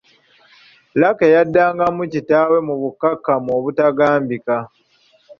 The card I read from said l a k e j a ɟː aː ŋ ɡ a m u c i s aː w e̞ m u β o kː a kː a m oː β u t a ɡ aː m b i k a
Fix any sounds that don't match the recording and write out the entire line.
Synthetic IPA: l a k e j a dː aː ŋ ɡ a m u c i t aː w e̞ m u β u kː a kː a m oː β u t a ɡ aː m b i k a